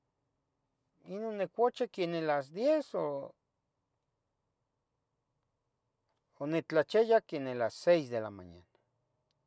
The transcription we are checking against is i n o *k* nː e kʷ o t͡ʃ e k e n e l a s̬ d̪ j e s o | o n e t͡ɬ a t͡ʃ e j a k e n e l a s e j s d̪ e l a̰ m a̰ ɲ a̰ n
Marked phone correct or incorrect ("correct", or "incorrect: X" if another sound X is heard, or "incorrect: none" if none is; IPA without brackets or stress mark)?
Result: incorrect: none